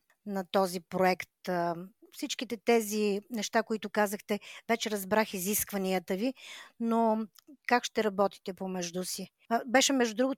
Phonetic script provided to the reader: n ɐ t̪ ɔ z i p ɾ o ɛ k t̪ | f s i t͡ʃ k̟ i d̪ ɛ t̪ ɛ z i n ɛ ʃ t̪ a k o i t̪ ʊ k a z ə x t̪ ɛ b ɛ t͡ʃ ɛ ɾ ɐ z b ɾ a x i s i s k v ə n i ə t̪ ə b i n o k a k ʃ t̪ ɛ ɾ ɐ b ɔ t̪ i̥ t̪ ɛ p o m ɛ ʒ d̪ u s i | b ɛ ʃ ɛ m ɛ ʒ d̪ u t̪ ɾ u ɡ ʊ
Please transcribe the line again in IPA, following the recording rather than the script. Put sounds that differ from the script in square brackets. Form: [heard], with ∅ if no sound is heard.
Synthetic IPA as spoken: n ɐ t̪ ɔ z i p ɾ o ɛ k t̪ | f s i t͡ʃ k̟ i [t̪] ɛ t̪ ɛ z i n ɛ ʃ t̪ a k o i t̪ ʊ k a z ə x t̪ ɛ [v] ɛ t͡ʃ ɛ ɾ ɐ z b ɾ a x i [z] i s k v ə n i ə t̪ ə [v] i n o k a k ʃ t̪ ɛ ɾ ɐ b ɔ t̪ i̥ t̪ ɛ p o m ɛ ʒ d̪ u s i | b ɛ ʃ ɛ m ɛ ʒ d̪ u [d̪] ɾ u ɡ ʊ